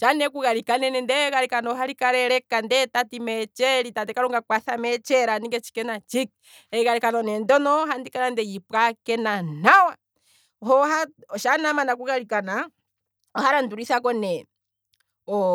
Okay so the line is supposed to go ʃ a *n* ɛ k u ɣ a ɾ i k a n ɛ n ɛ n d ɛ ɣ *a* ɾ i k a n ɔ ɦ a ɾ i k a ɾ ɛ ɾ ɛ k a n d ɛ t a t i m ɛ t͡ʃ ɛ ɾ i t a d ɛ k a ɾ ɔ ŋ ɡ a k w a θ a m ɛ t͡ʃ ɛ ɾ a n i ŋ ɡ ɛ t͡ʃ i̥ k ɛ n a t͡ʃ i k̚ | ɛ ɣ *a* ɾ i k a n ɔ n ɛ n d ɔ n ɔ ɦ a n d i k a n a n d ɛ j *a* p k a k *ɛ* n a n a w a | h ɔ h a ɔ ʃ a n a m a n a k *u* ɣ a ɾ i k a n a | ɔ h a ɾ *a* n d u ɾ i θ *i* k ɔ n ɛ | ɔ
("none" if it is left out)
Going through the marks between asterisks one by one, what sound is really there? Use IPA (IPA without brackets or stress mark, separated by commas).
n, a, a, i, ɛ, u, a, a